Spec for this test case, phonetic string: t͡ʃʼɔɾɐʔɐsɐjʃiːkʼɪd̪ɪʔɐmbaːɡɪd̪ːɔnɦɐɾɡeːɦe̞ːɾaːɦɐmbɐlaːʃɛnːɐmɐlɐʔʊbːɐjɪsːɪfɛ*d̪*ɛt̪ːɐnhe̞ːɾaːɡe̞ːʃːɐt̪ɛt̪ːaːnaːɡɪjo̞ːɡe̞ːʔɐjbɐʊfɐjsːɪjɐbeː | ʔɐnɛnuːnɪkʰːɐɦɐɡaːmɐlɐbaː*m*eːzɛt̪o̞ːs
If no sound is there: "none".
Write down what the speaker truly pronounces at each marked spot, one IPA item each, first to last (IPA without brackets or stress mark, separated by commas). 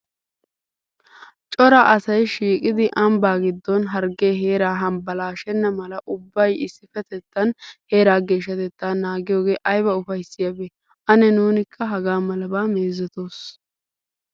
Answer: t̪, m